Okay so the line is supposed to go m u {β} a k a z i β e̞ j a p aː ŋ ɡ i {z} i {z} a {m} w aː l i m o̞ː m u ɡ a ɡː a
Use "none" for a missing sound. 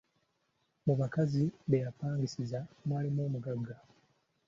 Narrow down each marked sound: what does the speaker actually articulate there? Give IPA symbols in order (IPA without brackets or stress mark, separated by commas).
β, s, z, m